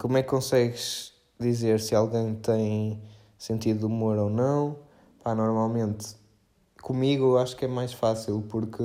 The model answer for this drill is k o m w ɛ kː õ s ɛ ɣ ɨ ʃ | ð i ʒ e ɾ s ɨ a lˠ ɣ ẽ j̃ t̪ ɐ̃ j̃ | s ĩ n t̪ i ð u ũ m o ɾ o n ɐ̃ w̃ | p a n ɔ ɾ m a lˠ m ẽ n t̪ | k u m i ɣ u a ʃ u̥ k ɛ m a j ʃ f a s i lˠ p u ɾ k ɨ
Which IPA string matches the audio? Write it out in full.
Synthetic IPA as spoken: k o m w ɛ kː õ s ɛ ɣ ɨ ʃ | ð i z e ɾ s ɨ a lˠ ɣ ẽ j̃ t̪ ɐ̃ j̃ | s ẽ n t̪ i ð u u m o ɾ o n ɐ̃ w̃ | p a n ɔ ɾ m a lˠ m ẽ n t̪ | k u m i ɣ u a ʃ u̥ k ɛ m a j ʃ f a s i lˠ p u ɾ k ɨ